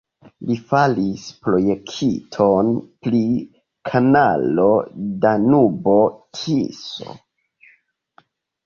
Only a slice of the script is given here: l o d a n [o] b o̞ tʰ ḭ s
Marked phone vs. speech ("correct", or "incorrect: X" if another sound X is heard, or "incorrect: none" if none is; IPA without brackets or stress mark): incorrect: u